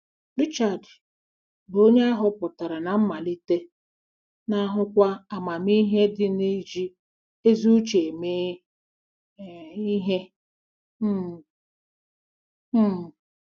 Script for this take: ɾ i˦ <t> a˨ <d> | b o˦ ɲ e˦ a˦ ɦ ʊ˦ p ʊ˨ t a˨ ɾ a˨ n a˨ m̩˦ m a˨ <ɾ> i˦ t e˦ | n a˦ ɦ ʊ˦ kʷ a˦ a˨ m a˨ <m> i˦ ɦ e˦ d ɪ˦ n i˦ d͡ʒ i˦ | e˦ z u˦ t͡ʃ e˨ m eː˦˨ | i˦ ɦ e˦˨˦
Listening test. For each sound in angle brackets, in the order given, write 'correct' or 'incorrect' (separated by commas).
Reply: incorrect, correct, incorrect, correct